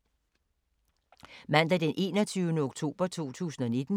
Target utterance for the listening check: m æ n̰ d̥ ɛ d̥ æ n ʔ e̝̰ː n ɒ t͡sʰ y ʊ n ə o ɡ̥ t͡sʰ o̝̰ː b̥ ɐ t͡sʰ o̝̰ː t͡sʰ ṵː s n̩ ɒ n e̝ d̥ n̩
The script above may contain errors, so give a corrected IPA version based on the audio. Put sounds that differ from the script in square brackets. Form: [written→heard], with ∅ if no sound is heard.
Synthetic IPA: m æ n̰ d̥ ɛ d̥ [æ→e] n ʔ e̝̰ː n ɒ t͡sʰ y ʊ n ə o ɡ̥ t͡sʰ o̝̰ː b̥ ɐ t͡sʰ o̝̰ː t͡sʰ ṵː s n̩ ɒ n e̝ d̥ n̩

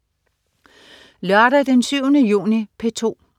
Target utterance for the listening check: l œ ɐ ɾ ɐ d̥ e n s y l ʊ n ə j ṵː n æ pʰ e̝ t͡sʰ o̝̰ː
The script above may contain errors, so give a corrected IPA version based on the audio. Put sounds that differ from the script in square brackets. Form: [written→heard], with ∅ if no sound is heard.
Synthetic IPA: l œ ɐ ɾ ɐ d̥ e n s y [l→∅] ʊ n ə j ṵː n [æ→i] pʰ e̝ t͡sʰ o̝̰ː

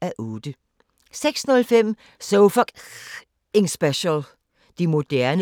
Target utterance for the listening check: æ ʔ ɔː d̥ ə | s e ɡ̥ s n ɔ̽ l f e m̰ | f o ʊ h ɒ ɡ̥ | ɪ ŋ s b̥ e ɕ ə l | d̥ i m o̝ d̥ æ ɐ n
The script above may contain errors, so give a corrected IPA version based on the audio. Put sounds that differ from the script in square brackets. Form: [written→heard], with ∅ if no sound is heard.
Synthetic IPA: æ ʔ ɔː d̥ ə | s e ɡ̥ s n ɔ̽ l f e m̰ | [f→s] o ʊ [h→f] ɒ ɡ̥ | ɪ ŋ s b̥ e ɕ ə l | d̥ i m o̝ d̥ æ ɐ n

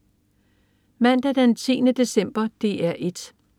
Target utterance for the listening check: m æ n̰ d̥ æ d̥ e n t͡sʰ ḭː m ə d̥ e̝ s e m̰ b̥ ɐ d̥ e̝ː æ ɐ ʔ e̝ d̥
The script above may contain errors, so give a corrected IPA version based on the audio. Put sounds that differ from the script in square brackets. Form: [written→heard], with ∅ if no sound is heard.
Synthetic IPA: m æ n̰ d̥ æ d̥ e n t͡sʰ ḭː [m→n] ə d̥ e̝ s e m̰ b̥ ɐ d̥ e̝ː æ ɐ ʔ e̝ d̥

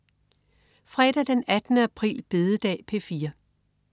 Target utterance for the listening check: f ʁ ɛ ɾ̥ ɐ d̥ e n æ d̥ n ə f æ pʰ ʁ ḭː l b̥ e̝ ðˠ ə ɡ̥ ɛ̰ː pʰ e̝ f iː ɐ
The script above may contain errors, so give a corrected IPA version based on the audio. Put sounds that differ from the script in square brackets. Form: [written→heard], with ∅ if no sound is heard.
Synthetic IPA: f ʁ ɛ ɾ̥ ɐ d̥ e n æ d̥ n ə [f→∅] æ pʰ ʁ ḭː l b̥ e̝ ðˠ ə [ɡ̥→d̥] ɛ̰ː pʰ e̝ f iː ɐ

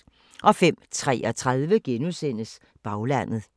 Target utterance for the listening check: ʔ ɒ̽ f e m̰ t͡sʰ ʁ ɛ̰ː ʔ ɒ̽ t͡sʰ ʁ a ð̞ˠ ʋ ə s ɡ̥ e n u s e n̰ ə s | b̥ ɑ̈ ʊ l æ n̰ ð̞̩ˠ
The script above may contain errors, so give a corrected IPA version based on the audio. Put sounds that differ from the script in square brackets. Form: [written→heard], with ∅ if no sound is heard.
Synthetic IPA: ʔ ɒ̽ f e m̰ t͡sʰ ʁ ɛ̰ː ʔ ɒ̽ t͡sʰ ʁ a ð̞ˠ ʋ ə [s→∅] ɡ̥ e n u s e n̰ ə s | b̥ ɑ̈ ʊ l æ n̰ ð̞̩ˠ

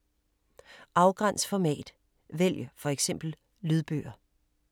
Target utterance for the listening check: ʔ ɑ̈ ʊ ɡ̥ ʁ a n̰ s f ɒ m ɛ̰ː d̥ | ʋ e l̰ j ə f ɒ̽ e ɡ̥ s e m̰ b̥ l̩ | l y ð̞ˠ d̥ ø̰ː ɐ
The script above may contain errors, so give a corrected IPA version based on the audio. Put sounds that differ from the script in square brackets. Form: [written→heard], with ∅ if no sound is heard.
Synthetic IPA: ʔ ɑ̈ ʊ ɡ̥ ʁ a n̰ s f ɒ m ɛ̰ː d̥ | ʋ e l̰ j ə f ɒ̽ e ɡ̥ s e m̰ b̥ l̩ | l y ð̞ˠ [d̥→b̥] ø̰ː ɐ

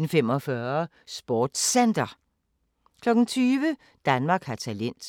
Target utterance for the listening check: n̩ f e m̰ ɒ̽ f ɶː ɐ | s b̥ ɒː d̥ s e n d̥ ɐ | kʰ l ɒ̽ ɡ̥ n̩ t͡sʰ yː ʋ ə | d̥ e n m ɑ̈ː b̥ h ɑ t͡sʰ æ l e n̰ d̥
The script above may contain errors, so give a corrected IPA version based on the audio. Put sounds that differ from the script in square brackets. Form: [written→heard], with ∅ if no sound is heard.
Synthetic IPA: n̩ f e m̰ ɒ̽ f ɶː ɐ | s b̥ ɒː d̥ s e n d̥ ɐ | kʰ l ɒ̽ ɡ̥ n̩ t͡sʰ yː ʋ ə | d̥ [e→æ] n m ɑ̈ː [b̥→ɡ̥] h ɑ t͡sʰ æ l e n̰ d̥

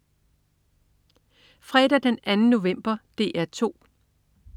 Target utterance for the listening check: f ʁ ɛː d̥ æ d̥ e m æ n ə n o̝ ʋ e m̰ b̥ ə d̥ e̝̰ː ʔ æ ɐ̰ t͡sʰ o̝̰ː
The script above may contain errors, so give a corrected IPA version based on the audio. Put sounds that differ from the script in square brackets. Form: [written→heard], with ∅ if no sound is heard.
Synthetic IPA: f ʁ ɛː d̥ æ d̥ e [m→n] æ n ə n o̝ ʋ e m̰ b̥ [ə→ɐ] d̥ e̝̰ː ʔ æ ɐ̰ t͡sʰ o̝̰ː

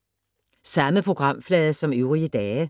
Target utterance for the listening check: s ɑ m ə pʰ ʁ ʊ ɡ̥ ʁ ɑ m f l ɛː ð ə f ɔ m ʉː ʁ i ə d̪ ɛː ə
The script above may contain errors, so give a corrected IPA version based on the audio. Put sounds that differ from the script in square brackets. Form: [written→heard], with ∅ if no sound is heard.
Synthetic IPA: s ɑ m ə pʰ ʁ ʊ ɡ̥ ʁ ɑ m f l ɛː ð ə [f→s] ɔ m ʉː ʁ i ə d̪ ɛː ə

